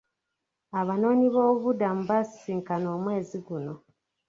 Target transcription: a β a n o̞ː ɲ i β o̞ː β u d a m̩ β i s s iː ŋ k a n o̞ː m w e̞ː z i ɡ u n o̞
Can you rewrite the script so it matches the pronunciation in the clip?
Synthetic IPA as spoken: a β a n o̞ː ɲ i β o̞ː β u d a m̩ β a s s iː ŋ k a n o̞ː m w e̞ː z i ɡ u n o̞